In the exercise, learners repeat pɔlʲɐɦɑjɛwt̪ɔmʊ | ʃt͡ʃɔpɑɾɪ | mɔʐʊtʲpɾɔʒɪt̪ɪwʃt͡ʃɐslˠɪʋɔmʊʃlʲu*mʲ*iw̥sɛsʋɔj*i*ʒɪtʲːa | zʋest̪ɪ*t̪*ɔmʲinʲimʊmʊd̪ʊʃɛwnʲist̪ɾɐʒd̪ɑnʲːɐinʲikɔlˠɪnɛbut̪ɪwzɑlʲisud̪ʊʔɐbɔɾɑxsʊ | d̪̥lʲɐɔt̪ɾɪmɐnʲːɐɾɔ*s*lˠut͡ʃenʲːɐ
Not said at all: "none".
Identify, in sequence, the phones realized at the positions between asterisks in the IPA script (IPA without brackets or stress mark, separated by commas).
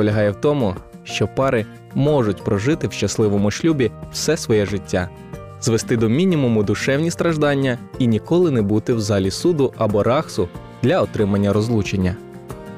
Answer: bʲ, ɛ, d̪, z